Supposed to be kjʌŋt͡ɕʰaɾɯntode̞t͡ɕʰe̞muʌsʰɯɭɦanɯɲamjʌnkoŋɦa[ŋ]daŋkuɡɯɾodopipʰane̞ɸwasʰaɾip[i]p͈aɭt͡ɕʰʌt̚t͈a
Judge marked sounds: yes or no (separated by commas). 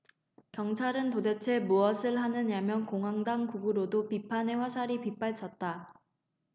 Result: yes, yes